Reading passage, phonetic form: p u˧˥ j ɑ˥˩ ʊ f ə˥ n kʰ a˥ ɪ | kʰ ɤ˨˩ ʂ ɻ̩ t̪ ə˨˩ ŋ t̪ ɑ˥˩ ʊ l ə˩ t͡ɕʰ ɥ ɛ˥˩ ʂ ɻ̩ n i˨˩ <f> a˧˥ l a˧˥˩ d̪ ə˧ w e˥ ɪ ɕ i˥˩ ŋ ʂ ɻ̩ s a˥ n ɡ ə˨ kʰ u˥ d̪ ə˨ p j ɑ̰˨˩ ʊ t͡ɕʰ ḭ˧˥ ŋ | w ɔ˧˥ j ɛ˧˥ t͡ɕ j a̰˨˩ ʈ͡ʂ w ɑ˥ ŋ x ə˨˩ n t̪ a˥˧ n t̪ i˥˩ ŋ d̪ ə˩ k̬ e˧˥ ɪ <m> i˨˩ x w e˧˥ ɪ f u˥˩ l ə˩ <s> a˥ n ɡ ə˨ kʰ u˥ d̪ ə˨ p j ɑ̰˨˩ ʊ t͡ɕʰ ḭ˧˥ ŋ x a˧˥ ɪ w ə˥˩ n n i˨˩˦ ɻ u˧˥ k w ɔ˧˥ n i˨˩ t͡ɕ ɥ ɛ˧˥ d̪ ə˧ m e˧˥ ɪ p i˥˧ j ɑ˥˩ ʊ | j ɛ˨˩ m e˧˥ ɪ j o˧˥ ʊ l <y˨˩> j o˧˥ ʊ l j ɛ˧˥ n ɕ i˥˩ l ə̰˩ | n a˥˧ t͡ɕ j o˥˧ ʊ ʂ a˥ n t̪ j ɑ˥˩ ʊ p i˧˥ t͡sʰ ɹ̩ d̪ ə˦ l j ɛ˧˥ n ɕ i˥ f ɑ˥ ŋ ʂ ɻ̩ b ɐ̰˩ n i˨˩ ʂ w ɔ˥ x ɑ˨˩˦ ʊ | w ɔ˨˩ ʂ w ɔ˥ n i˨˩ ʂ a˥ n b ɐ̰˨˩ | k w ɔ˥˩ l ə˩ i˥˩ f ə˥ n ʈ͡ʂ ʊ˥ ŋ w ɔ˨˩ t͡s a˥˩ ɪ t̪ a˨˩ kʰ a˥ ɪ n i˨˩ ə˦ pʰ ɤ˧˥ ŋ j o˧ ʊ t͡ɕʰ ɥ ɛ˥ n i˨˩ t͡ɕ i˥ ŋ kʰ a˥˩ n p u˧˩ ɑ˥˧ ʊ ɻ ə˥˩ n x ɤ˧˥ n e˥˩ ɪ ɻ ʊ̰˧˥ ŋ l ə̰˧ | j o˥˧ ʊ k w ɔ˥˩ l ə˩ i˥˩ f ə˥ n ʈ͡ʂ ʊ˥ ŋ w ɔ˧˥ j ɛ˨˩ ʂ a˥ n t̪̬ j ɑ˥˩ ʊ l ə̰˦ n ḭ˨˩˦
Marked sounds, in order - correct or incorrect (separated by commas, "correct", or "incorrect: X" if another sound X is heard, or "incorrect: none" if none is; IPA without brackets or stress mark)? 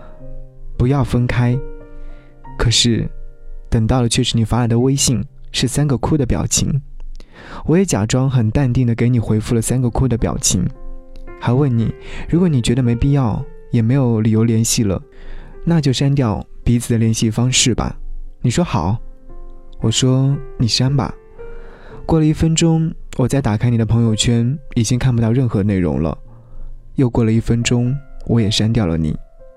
correct, incorrect: n, correct, incorrect: i˨˩